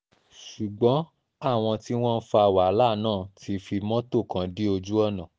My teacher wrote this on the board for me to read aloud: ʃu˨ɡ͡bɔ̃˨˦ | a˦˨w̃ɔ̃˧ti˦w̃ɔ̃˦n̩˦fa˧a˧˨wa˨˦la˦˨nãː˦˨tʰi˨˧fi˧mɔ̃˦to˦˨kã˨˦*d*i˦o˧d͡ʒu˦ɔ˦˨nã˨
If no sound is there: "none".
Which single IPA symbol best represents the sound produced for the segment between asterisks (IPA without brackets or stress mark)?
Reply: d